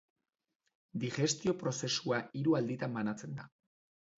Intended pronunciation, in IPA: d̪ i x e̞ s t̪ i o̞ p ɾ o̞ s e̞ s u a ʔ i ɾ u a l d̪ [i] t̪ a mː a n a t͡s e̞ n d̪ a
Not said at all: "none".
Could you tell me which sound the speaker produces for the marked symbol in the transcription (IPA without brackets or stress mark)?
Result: i